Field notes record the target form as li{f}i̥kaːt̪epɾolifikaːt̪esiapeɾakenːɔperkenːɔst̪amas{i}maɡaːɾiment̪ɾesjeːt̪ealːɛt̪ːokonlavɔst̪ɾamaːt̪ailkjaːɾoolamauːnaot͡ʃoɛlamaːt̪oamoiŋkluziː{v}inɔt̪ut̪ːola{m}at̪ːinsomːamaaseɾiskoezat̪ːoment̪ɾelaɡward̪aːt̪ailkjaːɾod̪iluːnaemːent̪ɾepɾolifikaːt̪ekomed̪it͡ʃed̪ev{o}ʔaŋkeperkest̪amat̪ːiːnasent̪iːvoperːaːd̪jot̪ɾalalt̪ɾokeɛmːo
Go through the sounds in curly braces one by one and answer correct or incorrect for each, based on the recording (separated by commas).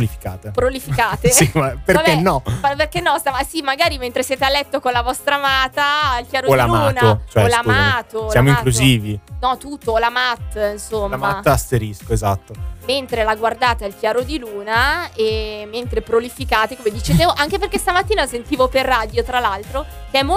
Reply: correct, correct, correct, correct, correct